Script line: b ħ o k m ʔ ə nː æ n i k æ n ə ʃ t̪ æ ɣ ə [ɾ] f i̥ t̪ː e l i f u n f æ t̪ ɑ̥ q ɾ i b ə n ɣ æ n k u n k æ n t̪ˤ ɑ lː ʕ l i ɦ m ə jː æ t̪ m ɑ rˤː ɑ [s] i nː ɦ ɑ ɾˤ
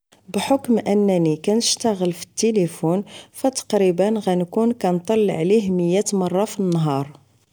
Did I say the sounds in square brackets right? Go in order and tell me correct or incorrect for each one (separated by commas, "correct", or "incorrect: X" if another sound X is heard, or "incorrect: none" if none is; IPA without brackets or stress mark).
incorrect: l, incorrect: f